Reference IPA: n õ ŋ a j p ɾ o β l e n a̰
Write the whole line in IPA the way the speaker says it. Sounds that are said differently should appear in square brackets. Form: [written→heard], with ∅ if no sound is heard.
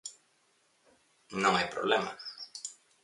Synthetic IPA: n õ ŋ a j p ɾ o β l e [n→m] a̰

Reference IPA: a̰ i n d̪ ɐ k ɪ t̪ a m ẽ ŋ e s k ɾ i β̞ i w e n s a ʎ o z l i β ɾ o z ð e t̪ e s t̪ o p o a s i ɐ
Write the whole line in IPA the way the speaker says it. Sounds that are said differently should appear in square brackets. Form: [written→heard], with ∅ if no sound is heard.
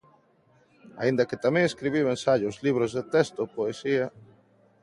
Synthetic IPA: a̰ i n d̪ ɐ k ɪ t̪ a m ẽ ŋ e s k ɾ i β̞ i w e n s a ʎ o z l i β ɾ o z ð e t̪ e s t̪ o p o [a→e] s i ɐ

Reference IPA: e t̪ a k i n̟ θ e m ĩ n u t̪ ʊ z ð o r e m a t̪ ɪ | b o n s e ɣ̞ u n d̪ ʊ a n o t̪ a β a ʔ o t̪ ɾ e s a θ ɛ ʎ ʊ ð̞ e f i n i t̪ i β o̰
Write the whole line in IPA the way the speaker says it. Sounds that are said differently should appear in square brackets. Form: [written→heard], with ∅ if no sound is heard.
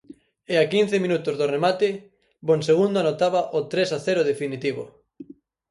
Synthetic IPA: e [t̪→∅] a k i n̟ θ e m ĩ n u t̪ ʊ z ð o r e m a t̪ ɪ | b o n s e ɣ̞ u n d̪ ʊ a n o t̪ a β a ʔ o t̪ ɾ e s a θ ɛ [ʎ→ɾ] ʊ ð̞ e f i n i t̪ i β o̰

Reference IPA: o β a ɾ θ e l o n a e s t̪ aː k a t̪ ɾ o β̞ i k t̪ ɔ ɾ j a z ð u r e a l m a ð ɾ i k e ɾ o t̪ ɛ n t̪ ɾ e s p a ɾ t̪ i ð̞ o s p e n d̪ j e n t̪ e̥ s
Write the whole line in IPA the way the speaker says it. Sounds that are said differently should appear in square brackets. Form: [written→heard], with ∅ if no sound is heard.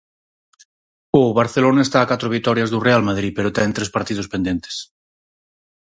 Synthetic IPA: o β a ɾ θ e l o n a e s t̪ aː k a t̪ ɾ o β̞ i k t̪ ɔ ɾ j a z ð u r e a l m a ð ɾ i [k→p] e ɾ o t̪ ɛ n t̪ ɾ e s p a ɾ t̪ i ð̞ o s p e n d̪ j e n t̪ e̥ s

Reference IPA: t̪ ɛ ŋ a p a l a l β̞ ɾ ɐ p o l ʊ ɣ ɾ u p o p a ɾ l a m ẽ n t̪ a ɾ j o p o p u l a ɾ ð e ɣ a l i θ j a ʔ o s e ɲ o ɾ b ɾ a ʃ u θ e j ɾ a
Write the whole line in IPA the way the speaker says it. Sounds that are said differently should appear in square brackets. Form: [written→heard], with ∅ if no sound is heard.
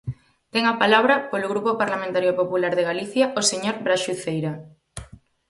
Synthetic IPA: t̪ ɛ ŋ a p a l a [l→∅] β̞ ɾ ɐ p o l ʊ ɣ ɾ u p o p a ɾ l a m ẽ n t̪ a ɾ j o p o p u l a ɾ ð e ɣ a l i θ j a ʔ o s e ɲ o ɾ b ɾ a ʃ u θ e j ɾ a

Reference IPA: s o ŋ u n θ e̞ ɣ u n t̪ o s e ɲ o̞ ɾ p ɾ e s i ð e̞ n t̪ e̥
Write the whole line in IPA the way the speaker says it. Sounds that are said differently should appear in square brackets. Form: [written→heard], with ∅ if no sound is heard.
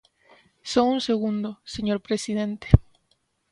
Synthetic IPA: s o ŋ u n [θ→s] e̞ ɣ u n [t̪→d̪] o s e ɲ o̞ ɾ p ɾ e s i ð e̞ n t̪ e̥

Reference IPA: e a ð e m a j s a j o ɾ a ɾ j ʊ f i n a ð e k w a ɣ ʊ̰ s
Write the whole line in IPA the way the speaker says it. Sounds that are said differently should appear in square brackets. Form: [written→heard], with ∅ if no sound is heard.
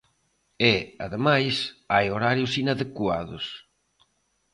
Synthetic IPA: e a ð e m a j s a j o ɾ a ɾ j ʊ [f→s] i n a ð e k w a [ɣ→ð] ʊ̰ s

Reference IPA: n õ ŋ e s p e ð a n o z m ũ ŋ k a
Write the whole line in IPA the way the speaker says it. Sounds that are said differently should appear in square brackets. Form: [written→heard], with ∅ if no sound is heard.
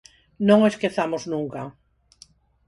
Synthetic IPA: n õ ŋ e s [p→k] e [ð→θ] a [n→m] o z [m→n] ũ ŋ k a

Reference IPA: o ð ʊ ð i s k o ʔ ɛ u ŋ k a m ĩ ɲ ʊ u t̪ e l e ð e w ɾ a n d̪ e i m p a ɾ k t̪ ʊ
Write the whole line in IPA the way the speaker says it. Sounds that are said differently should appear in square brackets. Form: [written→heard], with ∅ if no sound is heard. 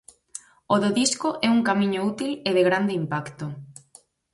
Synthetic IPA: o ð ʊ ð i s k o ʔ ɛ u ŋ k a m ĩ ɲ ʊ u t̪ [e→i] l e ð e [w→ɣ] ɾ a n d̪ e i m p a [ɾ→∅] k t̪ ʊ

